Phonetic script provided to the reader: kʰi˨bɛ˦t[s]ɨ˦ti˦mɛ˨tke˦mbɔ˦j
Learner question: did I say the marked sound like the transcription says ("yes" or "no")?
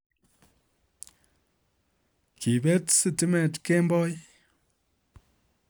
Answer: yes